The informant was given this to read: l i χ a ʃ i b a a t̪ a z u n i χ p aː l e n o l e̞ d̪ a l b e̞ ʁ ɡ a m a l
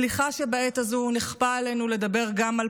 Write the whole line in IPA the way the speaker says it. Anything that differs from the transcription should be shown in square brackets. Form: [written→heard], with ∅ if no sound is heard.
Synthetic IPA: l i χ a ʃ [i→e] b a [a→e] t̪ a z u n i χ p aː l e n [o→u] l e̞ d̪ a [l→∅] b e̞ ʁ ɡ a m a l